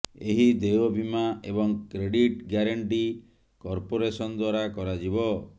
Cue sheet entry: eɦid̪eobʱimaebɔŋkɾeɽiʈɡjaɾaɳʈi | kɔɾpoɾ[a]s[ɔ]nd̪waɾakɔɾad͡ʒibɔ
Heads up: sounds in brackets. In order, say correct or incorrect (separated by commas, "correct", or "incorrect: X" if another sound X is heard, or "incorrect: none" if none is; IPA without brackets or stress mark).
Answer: incorrect: e, correct